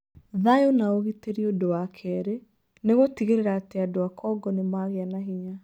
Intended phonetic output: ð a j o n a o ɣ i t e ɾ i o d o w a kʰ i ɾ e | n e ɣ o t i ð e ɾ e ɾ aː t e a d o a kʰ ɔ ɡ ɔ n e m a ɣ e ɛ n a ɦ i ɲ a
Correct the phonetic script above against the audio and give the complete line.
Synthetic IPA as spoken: ð a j o n a o ɣ i t e ɾ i o d o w a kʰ ɛ ɾ e | n e ɣ o t i ɣ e ɾ e ɾ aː t e a d o a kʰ ɔ ɡ ɔ n e m a ɣ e a n a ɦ i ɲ a